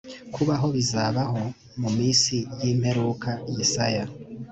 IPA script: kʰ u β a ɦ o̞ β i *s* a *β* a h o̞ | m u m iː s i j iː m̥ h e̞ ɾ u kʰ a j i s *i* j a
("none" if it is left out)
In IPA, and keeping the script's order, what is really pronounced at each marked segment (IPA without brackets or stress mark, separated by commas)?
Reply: z, β, a